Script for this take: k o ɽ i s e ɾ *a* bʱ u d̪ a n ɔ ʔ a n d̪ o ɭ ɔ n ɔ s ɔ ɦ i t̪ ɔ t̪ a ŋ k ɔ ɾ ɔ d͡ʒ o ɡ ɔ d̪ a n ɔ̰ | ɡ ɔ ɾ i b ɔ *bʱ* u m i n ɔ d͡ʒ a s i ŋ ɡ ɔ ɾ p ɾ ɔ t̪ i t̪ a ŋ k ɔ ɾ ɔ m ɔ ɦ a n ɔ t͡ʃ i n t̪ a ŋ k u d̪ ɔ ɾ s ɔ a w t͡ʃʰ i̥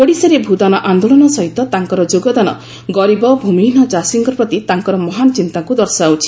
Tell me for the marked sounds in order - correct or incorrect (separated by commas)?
incorrect, correct